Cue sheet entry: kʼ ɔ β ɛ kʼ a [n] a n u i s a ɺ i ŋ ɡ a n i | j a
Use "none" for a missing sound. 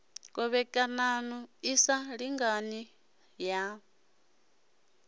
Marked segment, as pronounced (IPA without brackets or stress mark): n